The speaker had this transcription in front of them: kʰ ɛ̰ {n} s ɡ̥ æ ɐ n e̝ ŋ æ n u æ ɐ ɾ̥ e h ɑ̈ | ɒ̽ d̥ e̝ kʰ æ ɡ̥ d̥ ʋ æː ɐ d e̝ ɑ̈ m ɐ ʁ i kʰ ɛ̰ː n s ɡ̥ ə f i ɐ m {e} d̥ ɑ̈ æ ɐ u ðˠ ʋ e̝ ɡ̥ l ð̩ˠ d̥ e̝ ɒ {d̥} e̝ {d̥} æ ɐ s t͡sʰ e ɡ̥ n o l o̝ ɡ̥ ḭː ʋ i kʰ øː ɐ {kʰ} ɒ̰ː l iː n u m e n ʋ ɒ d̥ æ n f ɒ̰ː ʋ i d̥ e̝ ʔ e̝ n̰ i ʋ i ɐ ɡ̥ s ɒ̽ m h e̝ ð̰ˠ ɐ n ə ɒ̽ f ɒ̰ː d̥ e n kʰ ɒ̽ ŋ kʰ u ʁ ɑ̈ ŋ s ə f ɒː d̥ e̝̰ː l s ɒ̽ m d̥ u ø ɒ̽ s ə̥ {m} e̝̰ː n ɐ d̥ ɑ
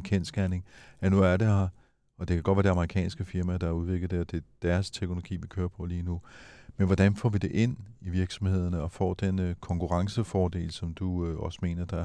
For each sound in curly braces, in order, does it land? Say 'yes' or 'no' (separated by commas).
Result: yes, no, yes, yes, no, yes